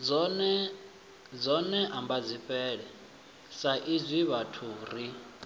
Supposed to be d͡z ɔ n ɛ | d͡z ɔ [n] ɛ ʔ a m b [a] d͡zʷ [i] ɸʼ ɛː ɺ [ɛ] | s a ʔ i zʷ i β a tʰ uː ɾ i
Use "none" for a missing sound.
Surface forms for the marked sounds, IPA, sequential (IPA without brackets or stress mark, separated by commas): n, a, i, ɛ